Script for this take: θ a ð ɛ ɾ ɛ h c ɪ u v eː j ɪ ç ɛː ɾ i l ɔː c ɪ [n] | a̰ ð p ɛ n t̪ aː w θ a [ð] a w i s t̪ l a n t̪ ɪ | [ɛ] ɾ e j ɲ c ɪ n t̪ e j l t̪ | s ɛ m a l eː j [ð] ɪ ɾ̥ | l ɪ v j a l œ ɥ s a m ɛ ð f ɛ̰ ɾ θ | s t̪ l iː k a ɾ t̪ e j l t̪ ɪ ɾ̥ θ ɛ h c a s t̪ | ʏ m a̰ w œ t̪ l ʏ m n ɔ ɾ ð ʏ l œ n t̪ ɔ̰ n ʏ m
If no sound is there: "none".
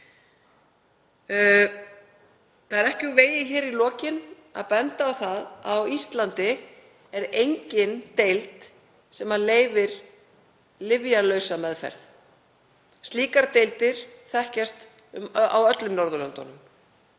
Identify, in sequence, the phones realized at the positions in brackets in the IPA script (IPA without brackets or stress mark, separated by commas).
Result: n, ð, ɛ, v